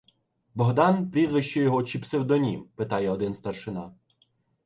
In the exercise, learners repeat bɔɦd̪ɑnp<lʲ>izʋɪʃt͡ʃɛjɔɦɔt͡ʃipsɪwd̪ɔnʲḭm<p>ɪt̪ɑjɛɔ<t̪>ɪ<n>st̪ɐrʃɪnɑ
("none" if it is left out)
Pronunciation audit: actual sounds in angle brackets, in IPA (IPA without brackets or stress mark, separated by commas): ɾʲ, p, d̪, n